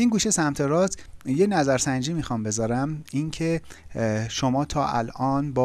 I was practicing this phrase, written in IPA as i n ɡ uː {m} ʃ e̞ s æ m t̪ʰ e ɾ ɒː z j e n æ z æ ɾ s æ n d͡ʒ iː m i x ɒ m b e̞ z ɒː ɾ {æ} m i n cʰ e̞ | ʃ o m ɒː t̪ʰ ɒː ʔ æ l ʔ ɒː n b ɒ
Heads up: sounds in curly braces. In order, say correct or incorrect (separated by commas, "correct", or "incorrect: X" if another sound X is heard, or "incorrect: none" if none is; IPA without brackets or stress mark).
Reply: incorrect: none, correct